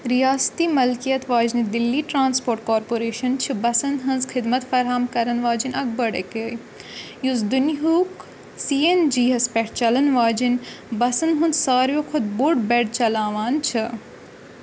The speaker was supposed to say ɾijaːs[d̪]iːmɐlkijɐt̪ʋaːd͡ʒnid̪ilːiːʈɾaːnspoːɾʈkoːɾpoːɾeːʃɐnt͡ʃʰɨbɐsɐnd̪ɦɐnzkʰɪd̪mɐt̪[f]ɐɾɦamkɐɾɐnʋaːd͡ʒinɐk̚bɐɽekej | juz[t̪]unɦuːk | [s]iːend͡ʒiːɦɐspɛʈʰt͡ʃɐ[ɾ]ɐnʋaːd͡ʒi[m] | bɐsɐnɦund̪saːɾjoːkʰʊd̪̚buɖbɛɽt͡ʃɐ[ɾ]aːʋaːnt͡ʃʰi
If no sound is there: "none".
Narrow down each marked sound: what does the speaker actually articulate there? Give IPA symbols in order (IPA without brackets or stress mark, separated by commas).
t̪, f, d̪, s, l, n, l